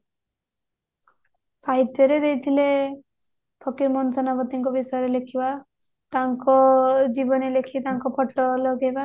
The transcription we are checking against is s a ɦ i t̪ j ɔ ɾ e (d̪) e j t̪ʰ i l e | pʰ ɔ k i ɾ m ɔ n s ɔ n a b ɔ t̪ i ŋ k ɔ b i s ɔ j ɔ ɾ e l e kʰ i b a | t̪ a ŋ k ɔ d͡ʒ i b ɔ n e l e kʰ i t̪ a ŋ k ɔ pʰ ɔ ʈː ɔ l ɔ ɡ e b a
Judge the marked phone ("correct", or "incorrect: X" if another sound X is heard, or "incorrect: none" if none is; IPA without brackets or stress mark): correct